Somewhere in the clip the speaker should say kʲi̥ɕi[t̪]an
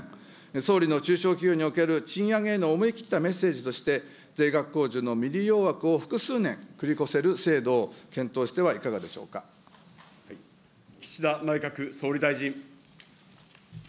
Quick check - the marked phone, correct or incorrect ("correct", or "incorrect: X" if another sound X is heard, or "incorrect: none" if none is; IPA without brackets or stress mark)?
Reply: incorrect: d̪